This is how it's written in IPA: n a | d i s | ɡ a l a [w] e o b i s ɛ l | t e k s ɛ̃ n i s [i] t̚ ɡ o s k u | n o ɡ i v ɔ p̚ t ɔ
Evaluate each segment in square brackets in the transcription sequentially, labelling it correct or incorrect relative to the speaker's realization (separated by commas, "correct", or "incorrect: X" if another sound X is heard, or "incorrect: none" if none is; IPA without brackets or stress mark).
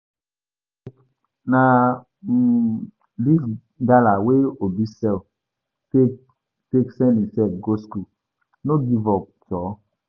correct, incorrect: ɛ